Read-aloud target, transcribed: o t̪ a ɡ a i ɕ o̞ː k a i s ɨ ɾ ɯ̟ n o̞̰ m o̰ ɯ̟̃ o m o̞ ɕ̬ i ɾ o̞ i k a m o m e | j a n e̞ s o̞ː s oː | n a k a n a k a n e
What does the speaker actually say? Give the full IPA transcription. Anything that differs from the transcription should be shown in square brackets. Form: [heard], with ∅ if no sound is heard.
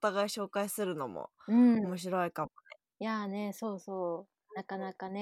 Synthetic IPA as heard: o t̪ a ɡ a i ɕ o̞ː k a i s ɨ ɾ ɯ̟ n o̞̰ m o̰ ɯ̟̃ o m o̞ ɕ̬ i ɾ o̞ i k a m o [n] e | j a n e̞ s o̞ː s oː | n a k a n a k a n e